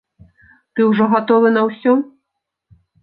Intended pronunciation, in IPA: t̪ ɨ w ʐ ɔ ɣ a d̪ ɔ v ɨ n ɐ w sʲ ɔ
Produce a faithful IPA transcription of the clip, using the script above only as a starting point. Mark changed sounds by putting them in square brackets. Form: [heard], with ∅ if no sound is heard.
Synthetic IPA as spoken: t̪ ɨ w ʐ ɔ ɣ a [t̪] ɔ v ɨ n ɐ w sʲ ɔ